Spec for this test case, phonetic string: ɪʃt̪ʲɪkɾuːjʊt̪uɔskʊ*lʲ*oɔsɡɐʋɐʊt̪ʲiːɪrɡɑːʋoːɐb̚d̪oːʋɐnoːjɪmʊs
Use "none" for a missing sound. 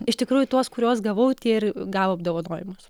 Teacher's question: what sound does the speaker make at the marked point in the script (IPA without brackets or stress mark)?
ɾʲ